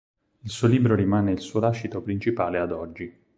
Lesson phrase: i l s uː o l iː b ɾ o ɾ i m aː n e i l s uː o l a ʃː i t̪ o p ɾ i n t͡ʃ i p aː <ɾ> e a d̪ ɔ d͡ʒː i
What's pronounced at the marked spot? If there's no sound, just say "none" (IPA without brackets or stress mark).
l